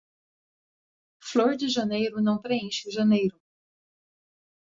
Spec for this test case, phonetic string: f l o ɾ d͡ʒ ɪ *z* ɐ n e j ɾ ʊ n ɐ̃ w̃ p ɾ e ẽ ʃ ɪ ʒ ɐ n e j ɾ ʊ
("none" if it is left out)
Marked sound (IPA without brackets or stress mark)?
ʒ